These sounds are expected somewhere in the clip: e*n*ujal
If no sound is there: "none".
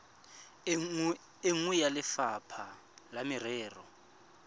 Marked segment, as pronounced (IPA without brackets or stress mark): ŋ